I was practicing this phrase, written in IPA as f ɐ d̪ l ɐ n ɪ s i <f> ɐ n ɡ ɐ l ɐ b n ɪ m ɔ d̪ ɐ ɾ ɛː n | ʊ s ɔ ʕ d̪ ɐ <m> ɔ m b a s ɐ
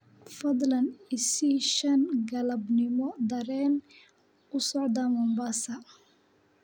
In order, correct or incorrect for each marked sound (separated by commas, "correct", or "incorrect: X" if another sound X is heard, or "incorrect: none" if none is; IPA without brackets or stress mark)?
incorrect: ʃ, correct